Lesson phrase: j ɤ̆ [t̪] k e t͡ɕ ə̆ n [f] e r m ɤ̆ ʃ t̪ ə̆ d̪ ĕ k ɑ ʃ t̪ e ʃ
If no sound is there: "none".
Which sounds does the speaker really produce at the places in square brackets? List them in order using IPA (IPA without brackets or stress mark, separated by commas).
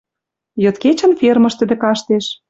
t̪, f